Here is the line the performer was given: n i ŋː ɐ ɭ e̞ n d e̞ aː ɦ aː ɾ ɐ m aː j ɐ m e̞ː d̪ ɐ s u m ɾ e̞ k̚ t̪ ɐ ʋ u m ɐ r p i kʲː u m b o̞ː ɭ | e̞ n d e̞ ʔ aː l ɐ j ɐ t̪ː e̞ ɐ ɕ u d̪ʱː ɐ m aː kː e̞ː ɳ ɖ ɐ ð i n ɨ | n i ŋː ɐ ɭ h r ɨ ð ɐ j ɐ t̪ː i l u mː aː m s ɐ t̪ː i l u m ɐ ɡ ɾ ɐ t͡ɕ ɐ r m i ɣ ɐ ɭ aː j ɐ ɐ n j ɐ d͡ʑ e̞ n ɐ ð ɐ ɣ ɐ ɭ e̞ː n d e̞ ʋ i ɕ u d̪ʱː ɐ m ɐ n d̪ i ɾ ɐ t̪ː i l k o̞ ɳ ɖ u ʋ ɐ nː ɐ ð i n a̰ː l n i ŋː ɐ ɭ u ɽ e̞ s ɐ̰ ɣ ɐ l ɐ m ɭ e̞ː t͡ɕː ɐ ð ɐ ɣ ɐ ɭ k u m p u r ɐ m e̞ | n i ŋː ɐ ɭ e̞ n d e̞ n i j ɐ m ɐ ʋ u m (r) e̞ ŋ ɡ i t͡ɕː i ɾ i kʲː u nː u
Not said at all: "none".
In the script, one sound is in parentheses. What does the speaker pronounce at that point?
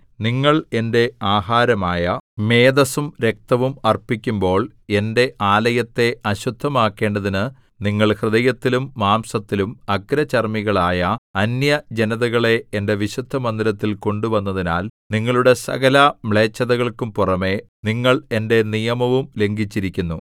l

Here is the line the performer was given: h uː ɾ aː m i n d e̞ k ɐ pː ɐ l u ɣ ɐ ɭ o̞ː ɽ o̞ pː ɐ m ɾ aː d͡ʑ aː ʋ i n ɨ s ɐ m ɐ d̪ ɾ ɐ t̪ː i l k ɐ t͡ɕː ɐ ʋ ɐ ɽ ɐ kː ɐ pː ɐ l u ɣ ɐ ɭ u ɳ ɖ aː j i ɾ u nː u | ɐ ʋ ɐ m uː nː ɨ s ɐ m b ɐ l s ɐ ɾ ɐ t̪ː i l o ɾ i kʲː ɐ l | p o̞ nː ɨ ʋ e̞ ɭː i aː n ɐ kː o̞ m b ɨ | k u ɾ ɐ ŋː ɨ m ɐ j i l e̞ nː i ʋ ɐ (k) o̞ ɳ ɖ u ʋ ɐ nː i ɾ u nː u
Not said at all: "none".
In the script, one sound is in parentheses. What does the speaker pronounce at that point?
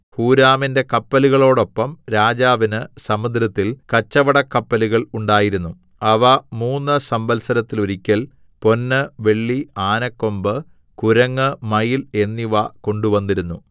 k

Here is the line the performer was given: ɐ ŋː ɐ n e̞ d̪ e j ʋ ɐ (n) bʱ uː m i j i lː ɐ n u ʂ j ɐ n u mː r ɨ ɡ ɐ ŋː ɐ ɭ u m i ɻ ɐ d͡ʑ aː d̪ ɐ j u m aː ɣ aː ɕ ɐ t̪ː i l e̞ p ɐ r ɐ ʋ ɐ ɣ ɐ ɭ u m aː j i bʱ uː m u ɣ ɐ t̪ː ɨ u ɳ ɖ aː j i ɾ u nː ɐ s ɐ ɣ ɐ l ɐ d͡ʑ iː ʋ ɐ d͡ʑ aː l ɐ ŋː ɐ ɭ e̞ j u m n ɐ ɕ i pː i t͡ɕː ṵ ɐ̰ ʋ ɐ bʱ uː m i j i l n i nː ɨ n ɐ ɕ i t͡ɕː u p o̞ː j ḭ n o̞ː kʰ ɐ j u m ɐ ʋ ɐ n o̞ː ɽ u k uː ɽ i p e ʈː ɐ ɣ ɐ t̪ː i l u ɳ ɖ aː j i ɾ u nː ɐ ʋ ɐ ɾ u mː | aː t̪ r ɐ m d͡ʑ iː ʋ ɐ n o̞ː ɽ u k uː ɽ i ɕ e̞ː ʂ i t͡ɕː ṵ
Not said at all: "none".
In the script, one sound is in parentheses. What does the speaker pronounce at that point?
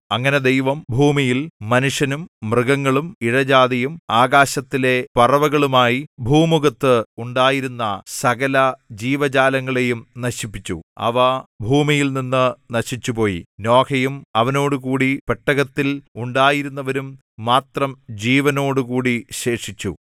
m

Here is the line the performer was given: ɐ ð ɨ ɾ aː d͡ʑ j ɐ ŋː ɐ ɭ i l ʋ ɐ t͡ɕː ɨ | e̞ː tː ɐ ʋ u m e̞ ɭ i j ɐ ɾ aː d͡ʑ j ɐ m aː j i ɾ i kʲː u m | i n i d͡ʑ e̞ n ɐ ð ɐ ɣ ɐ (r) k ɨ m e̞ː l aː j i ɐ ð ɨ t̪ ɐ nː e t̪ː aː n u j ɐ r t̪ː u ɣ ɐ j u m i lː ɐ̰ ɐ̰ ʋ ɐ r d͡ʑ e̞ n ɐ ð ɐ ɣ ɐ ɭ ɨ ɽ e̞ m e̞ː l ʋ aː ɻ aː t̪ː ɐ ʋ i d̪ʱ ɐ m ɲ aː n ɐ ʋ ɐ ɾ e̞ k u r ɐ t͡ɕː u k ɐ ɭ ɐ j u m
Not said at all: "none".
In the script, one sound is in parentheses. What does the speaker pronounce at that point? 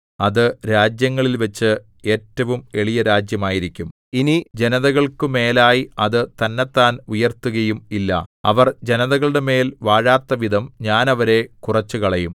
ɭ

